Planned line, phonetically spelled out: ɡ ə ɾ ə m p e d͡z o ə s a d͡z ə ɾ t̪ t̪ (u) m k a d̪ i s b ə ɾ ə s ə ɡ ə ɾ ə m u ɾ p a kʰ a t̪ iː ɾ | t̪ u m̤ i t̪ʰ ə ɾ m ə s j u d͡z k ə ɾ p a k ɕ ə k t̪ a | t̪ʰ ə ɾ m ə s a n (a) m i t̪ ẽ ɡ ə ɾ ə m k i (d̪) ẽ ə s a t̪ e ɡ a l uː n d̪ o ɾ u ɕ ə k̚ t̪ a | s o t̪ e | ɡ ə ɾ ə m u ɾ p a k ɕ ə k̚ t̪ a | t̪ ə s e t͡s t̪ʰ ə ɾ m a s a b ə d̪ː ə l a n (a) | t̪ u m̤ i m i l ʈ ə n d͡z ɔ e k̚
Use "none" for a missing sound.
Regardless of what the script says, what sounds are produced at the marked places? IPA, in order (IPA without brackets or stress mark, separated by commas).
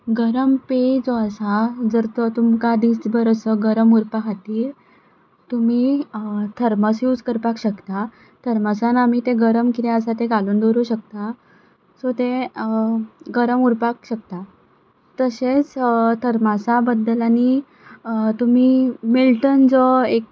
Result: u, a, t̪, i